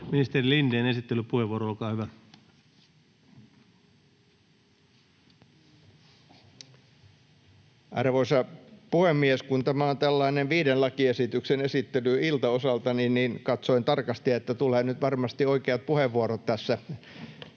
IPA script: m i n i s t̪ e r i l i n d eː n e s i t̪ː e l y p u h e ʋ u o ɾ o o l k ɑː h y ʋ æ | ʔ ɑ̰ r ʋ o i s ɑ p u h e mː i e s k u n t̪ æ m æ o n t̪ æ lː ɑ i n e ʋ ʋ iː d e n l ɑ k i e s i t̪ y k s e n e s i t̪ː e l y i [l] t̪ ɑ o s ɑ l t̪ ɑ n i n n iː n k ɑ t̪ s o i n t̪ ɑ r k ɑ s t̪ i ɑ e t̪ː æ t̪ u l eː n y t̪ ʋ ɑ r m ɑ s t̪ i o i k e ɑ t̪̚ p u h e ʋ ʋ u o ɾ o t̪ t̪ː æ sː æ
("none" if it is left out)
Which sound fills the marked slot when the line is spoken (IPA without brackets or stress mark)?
l